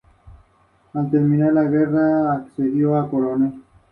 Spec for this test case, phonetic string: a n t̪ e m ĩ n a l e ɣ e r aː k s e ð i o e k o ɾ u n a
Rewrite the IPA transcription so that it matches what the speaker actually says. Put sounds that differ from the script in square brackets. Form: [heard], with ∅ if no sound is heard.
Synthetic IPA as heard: a n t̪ e m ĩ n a l [a] ɣ e r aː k s e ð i o [a] k o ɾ [o] n [e]